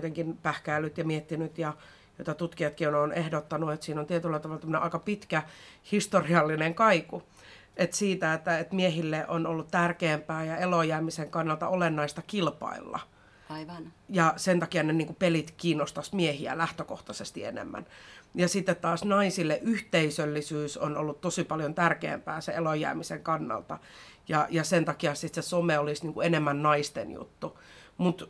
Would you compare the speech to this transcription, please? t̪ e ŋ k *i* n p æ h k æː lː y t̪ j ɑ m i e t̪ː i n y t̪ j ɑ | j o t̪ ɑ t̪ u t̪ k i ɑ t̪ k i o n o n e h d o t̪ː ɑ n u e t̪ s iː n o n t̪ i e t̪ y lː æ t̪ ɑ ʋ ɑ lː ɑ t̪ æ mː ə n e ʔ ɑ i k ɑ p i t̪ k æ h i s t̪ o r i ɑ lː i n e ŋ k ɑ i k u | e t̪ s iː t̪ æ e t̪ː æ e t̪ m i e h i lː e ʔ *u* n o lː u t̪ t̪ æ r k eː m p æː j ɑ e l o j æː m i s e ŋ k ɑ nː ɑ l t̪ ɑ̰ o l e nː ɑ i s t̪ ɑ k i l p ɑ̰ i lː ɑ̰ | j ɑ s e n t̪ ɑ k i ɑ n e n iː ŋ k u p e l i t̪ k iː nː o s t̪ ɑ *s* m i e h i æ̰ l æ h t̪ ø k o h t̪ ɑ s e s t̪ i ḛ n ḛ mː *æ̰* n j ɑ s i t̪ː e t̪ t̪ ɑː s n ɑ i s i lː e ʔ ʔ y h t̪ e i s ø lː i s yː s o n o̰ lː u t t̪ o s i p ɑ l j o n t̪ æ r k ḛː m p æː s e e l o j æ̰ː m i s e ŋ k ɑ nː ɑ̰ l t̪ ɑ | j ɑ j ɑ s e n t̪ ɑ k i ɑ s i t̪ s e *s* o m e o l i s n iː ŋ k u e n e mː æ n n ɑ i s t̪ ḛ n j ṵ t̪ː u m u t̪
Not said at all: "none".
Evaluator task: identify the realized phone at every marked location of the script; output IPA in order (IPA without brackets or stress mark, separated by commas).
i, o, s, æ̰, s